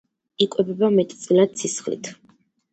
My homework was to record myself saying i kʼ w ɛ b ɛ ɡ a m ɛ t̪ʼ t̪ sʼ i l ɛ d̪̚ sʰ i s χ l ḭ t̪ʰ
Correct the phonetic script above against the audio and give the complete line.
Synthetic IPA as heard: i kʼ w ɛ b ɛ b a m ɛ t̪ʼ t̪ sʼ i l a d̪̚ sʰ i s χ l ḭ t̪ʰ